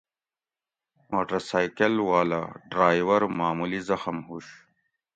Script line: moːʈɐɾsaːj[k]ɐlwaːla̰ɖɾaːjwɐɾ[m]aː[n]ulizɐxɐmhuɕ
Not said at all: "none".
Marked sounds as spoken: k, m, m

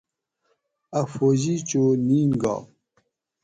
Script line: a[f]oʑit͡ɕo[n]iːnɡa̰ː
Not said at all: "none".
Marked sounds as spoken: f, n

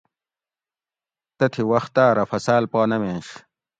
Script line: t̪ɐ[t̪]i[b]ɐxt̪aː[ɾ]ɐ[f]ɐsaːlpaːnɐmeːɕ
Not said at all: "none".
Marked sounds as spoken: t̪ʰ, w, ɾ, f

